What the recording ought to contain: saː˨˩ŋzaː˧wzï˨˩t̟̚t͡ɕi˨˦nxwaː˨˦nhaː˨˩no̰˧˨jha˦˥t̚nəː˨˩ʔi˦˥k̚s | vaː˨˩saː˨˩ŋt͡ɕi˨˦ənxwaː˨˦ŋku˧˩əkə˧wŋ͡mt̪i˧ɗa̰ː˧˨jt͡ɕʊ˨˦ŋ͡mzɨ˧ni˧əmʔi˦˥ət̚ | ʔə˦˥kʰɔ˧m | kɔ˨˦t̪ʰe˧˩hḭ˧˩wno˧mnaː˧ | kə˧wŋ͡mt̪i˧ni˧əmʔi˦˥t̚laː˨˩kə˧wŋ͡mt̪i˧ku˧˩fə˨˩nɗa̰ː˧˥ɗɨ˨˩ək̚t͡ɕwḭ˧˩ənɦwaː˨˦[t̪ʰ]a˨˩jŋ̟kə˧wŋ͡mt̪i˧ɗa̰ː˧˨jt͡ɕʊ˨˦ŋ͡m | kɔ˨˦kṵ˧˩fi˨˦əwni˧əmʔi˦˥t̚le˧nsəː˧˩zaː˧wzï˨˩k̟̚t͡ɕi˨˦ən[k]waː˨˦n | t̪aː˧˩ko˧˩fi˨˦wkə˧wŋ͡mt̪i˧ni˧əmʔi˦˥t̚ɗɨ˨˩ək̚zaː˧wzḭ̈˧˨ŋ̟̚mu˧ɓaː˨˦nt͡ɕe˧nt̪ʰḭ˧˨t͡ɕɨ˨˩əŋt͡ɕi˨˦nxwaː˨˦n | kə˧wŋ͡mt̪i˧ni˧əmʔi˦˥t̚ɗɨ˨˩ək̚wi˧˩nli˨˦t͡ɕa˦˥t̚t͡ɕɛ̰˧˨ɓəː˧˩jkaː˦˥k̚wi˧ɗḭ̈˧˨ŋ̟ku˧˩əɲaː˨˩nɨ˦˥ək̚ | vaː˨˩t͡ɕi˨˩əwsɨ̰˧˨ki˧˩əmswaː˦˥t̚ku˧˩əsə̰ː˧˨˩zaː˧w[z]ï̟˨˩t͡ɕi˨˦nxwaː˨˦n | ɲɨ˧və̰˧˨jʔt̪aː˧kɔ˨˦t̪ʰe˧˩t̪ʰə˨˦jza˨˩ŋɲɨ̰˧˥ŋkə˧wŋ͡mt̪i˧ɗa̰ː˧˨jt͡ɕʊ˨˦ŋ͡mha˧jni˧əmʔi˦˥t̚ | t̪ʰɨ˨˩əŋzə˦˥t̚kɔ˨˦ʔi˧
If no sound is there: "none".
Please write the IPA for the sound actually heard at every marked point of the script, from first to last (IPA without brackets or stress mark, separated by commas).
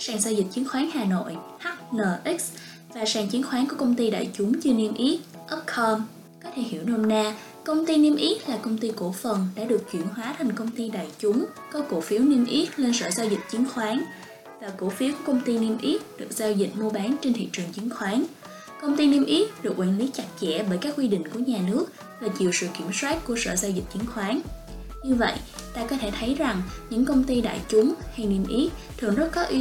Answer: t̪ʰ, x, z